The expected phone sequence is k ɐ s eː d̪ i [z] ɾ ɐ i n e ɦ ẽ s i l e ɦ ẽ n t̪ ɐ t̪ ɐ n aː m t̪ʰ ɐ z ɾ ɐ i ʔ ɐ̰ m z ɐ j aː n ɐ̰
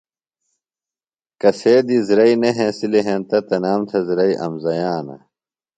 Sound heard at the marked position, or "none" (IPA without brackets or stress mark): z